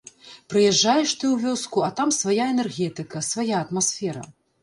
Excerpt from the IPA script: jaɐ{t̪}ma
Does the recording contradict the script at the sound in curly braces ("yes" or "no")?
no